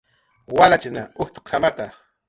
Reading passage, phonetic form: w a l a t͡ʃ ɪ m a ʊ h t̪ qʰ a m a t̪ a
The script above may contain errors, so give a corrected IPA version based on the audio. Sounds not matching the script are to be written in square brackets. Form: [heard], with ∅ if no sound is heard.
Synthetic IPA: w a l a t͡ʃ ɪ [n] a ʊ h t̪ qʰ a m a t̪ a